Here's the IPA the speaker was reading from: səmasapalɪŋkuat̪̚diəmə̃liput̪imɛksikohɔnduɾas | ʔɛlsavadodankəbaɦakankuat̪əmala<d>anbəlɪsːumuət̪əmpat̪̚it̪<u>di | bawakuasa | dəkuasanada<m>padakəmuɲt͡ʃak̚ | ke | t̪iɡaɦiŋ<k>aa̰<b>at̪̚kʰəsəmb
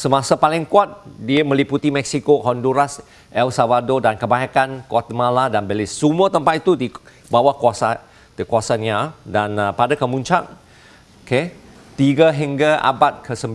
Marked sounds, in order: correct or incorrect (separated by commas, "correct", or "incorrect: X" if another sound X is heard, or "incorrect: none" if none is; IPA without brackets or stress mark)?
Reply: correct, correct, incorrect: n, incorrect: ɡ, correct